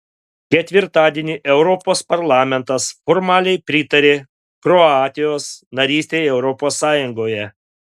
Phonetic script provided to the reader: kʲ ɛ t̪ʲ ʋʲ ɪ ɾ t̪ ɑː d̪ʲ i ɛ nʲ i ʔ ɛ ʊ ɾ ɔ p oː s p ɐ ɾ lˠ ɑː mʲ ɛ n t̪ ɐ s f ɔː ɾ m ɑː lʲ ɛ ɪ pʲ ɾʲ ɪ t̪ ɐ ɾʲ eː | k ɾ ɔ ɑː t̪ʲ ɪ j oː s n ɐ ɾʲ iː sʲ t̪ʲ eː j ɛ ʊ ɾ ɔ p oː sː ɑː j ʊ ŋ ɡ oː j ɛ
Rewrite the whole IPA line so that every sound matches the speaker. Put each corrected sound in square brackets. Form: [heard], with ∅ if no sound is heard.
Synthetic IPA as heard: kʲ ɛ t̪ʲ ʋʲ ɪ ɾ t̪ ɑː d̪ʲ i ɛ nʲ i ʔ ɛ ʊ ɾ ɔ p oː s p ɐ ɾ lˠ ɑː mʲ ɛ n t̪ ɐ s f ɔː ɾ m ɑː lʲ ɛ ɪ pʲ ɾʲ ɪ t̪ ɐ ɾʲ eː | k ɾ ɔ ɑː t̪ʲ ɪ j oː s n ɐ ɾʲ iː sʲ t̪ʲ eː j ɛ ʊ ɾ ɔ p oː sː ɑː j ʊ ŋ ɡ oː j ɛ